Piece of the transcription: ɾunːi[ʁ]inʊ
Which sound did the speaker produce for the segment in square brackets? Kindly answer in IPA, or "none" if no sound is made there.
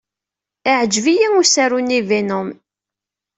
v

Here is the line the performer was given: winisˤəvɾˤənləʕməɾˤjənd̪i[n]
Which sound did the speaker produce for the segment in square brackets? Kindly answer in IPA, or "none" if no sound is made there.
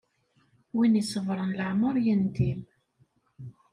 m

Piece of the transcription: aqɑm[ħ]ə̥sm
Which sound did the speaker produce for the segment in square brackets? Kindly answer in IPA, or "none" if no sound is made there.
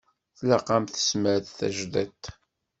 θ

